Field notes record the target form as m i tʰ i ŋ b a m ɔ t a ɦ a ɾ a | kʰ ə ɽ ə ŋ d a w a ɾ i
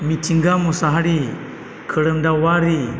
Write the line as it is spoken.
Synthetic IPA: m i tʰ i ŋ ɡ a m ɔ s a ɦ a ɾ i | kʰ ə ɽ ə m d a w a ɾ i